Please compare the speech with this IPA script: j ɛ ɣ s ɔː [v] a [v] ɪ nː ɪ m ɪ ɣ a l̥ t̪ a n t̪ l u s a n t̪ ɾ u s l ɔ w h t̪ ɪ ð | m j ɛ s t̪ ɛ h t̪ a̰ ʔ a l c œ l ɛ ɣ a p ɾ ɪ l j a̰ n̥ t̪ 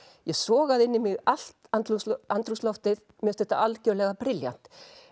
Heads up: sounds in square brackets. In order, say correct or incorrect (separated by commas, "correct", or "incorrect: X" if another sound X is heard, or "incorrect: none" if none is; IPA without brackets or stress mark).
incorrect: ɣ, incorrect: ð